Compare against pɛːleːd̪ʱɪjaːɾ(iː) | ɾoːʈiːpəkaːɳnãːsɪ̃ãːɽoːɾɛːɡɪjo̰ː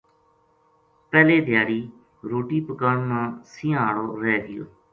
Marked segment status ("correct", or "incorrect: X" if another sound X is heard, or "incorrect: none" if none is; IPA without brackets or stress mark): correct